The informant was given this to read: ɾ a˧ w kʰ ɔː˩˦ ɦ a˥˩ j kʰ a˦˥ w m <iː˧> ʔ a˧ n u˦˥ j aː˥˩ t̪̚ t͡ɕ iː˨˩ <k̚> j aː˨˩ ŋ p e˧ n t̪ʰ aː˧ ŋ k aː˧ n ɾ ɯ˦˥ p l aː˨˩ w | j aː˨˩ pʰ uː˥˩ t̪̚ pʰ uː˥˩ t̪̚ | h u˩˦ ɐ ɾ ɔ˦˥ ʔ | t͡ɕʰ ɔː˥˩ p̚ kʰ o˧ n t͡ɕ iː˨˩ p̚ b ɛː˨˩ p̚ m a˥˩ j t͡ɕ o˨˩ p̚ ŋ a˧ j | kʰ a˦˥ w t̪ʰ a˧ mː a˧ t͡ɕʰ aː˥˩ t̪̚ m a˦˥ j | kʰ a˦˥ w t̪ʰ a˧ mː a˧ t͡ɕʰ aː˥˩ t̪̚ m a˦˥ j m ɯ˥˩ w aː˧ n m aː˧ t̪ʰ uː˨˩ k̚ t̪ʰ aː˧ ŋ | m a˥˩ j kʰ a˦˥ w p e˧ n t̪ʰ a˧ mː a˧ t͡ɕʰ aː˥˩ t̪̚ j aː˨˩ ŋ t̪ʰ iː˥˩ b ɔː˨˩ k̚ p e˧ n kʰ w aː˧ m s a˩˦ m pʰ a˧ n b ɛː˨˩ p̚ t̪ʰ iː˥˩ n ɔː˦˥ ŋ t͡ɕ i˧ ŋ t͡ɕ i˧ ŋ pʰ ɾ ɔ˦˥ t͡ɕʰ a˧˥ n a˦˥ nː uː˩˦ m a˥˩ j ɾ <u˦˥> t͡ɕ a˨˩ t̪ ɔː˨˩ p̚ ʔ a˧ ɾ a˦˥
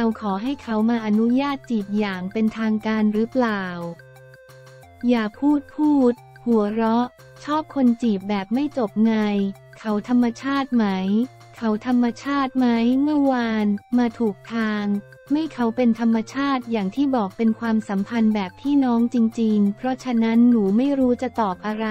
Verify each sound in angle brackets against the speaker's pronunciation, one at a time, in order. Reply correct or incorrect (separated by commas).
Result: incorrect, incorrect, incorrect